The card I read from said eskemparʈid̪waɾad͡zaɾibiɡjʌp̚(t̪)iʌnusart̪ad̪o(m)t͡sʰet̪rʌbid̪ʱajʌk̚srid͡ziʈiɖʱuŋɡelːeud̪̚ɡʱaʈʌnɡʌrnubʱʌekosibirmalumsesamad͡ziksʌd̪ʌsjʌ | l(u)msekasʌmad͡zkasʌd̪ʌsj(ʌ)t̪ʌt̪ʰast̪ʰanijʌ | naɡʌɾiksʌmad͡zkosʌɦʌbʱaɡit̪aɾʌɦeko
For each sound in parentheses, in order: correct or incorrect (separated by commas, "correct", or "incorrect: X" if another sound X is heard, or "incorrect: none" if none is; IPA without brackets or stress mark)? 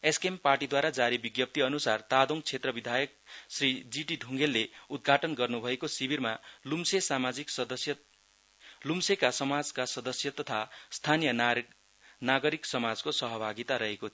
correct, incorrect: ŋ, correct, correct